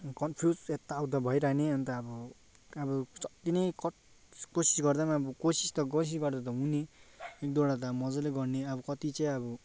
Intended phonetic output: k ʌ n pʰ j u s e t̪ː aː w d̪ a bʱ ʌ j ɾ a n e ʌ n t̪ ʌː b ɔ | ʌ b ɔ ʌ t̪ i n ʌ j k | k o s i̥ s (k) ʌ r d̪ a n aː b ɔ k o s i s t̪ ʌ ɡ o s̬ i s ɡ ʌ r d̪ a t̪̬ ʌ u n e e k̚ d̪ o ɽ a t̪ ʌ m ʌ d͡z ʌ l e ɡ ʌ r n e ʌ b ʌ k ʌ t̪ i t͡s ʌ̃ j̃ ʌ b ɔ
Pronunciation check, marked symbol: incorrect: ɡ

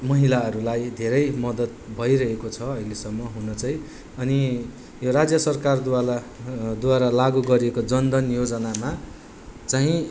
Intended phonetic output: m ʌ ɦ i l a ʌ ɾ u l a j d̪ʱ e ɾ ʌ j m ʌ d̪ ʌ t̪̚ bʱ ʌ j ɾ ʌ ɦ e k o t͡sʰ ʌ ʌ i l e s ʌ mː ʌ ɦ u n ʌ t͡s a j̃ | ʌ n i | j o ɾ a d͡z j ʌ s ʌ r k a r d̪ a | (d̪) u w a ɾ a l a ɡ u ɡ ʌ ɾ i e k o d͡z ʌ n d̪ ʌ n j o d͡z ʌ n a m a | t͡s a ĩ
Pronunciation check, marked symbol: correct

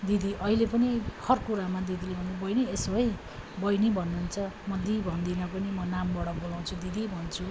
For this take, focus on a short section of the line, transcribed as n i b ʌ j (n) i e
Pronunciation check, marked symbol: correct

